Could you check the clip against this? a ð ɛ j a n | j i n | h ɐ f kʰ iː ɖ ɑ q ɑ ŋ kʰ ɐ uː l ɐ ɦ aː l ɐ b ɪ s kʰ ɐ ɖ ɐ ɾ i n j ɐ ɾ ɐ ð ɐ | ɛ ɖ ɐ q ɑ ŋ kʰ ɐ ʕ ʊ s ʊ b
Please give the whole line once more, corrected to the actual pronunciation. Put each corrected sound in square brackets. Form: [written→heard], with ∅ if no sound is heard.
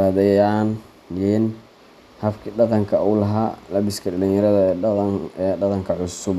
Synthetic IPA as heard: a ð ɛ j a n | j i n | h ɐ f kʰ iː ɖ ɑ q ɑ ŋ kʰ ɐ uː l ɐ ɦ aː l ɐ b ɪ s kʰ ɐ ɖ ɐ [ɾ→l] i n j ɐ ɾ ɐ ð ɐ | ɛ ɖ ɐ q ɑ ŋ kʰ ɐ ʕ ʊ s ʊ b